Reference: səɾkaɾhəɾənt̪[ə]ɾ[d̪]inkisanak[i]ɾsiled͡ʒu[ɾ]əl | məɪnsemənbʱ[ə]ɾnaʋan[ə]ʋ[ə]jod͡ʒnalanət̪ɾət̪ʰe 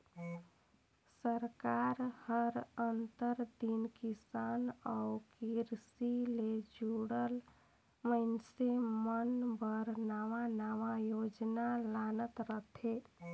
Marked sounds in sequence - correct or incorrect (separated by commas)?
correct, correct, correct, incorrect, correct, incorrect, incorrect